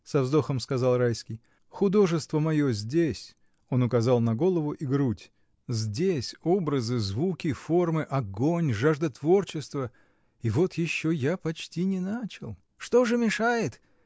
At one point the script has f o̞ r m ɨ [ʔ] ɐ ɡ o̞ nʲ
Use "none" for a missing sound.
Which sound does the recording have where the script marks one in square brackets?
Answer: ʔ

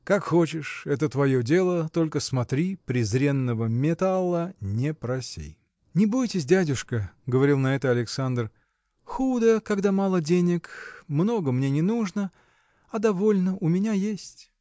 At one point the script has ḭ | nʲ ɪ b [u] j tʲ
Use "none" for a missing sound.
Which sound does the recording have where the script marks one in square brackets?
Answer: u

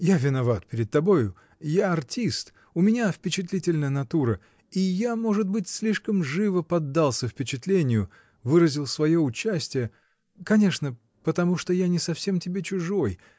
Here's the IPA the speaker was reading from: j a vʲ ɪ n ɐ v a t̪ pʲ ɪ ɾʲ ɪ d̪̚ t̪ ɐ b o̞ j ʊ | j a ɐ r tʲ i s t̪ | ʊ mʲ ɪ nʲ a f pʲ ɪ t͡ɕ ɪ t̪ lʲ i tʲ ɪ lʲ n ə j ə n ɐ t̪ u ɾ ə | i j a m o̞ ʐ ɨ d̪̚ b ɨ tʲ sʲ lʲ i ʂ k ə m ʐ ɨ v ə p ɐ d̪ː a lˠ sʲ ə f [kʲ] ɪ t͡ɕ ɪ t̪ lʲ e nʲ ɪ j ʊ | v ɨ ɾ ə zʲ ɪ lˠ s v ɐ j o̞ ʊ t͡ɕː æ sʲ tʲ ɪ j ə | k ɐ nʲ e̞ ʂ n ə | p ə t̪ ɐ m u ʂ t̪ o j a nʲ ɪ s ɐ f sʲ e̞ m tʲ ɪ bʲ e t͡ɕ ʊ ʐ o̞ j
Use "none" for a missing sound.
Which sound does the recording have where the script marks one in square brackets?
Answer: pʲ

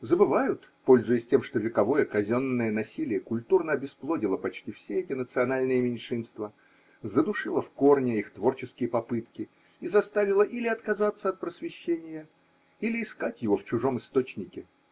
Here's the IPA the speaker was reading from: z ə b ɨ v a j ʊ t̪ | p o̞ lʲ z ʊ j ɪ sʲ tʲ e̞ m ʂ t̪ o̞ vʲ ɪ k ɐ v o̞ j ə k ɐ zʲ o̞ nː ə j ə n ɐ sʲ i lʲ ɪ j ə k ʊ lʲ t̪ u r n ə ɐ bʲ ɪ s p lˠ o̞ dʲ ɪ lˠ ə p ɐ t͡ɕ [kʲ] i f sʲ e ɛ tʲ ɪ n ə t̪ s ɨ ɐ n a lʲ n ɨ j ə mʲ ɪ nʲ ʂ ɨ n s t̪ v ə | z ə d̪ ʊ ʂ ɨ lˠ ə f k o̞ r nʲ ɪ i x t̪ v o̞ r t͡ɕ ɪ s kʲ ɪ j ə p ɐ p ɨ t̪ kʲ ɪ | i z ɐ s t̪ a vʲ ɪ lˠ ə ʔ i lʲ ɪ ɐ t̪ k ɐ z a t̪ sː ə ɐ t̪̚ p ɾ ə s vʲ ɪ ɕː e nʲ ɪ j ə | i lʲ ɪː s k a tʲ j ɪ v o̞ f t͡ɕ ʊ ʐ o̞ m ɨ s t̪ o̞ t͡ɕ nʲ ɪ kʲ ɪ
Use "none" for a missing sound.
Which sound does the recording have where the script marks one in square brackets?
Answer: tʲ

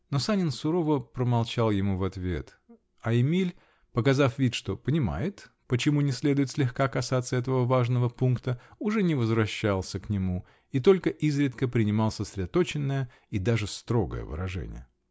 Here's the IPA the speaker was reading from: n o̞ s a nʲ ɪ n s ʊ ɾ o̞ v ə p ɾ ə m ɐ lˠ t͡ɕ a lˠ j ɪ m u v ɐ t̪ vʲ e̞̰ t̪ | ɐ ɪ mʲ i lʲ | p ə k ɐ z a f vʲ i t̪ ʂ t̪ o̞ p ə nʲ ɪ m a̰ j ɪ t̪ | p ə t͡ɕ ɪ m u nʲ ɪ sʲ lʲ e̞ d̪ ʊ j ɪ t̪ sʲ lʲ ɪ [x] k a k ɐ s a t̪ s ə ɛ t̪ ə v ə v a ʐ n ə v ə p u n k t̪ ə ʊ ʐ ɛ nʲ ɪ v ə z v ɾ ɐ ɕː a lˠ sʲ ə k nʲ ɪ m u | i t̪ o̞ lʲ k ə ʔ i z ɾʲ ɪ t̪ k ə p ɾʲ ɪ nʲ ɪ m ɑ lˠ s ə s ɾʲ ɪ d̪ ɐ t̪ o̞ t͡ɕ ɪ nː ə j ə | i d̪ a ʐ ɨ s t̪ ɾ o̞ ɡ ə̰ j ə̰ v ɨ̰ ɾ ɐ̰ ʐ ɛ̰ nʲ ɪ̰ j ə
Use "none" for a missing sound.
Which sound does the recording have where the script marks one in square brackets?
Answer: x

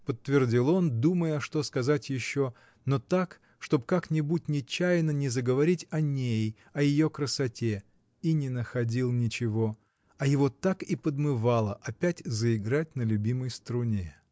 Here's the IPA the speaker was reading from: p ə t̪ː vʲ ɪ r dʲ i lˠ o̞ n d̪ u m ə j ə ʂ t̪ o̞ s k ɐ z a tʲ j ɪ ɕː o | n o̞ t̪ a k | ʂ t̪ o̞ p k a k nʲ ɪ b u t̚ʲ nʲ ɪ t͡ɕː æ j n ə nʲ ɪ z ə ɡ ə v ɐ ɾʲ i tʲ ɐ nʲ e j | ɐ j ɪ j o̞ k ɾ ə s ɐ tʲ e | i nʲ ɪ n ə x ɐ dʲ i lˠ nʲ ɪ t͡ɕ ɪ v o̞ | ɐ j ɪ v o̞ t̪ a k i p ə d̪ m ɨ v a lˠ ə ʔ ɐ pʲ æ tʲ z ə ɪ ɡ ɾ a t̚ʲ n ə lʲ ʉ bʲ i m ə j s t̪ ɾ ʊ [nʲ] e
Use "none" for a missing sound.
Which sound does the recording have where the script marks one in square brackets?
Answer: nʲ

